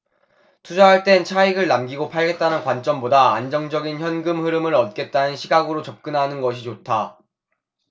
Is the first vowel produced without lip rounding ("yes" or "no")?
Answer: no